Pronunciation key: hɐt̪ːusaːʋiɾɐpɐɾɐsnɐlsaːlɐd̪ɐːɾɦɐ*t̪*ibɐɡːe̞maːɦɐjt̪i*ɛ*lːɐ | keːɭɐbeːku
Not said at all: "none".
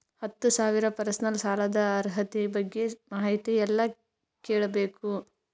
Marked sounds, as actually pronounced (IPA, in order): t̪, ɛ

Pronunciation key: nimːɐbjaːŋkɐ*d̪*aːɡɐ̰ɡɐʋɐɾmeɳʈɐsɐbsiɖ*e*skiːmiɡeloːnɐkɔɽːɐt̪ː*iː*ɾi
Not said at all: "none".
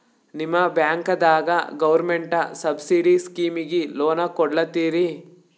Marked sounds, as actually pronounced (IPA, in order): d̪, i, iː

